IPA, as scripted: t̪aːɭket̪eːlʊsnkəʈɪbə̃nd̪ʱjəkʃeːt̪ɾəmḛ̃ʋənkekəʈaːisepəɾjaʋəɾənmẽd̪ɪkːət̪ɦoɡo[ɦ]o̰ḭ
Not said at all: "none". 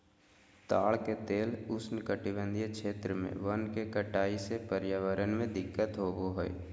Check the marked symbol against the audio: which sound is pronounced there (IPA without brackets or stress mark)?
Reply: ɦ